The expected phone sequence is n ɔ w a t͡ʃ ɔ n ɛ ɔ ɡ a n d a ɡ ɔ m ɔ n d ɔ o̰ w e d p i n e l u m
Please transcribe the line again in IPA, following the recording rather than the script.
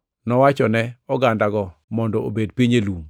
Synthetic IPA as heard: n ɔ w a t͡ʃ ɔ n ɛ ɔ ɡ a n d a ɡ ɔ m ɔ n d ɔ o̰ b e d p i ɲ e l u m

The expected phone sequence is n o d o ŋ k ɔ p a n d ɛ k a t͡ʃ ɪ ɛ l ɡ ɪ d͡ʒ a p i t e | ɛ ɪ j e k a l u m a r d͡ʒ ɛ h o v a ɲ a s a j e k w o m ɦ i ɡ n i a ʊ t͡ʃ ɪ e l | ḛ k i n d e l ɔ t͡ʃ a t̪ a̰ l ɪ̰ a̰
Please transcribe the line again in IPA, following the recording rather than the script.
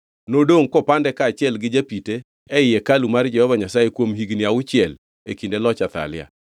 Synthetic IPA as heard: n o d o ŋ k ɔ p a n d ɛ k a t͡ʃ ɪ ɛ l ɡ ɪ d͡ʒ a p i t e | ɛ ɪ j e k a l u m a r d͡ʒ ɛ h ɔ v a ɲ a s a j e k w o m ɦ i ɡ n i a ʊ t͡ʃ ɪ ɛ l | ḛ k i n d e l ɔ t͡ʃ a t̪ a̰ l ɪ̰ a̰

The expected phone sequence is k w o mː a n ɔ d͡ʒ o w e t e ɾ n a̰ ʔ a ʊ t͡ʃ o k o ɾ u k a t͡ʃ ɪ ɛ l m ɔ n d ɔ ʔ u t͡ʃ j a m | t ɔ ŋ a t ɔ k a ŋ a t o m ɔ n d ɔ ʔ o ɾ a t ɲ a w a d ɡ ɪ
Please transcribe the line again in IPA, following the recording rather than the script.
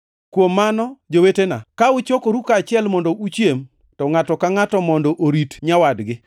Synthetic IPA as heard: k w o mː a n ɔ d͡ʒ o w e t e n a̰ k a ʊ t͡ʃ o k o ɾ u k a t͡ʃ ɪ ɛ l m ɔ n d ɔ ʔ u t͡ʃ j e m | t ɔ ŋ a t ɔ k a ŋ a t ɔ m ɔ n d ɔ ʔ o ɾ i t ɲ a w a d ɡ ɪ

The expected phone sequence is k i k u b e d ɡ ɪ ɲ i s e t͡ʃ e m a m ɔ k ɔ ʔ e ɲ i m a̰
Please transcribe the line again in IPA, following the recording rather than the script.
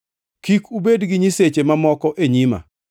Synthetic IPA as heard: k i k u b e d ɡ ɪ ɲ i s e t͡ʃ e m a m ɔ k ɔ ʔ e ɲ i m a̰

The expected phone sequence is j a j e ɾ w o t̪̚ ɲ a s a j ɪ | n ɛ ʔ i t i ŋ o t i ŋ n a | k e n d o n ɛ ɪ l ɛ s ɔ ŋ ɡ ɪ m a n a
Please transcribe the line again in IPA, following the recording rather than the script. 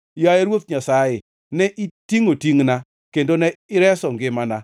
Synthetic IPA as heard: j a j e ɾ w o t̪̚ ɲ a s a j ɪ | n ɛ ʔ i t i ŋ o t i ŋ n a | k e n d o n ɛ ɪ ɾ ɛ s ɔ ŋ ɡ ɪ m a n a

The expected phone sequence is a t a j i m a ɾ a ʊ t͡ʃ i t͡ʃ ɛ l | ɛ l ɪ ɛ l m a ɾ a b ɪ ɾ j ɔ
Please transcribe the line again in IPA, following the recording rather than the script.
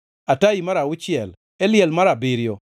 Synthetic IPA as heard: a t a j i m a ɾ a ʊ t͡ʃ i ɛ l | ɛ l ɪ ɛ l m a ɾ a b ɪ ɾ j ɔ

